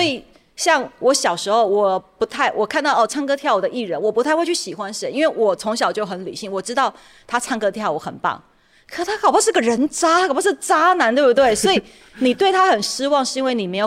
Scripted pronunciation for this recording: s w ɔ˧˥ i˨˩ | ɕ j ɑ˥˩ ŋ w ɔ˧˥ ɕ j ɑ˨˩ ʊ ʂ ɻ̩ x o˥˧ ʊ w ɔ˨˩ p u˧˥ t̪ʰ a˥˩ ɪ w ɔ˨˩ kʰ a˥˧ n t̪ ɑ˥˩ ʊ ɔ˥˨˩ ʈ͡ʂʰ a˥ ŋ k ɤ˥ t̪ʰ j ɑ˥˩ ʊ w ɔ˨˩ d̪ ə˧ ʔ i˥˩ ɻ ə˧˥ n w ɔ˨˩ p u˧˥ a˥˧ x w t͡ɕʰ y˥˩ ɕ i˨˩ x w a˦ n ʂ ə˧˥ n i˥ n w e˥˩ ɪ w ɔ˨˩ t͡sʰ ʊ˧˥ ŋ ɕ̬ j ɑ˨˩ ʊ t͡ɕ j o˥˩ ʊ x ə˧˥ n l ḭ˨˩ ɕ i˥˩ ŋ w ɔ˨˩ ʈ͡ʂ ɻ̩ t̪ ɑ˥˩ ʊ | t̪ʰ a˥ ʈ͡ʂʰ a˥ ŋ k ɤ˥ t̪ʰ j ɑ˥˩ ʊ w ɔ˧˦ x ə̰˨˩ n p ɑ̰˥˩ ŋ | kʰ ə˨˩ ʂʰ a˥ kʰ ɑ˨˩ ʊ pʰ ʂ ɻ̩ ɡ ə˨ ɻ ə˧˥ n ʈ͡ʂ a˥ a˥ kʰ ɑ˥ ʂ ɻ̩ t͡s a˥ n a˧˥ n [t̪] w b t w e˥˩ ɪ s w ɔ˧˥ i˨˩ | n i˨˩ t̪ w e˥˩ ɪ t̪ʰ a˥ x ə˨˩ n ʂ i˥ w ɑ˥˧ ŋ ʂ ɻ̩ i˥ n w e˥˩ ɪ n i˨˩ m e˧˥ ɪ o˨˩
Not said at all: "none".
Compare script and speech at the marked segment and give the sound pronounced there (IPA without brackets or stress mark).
t̪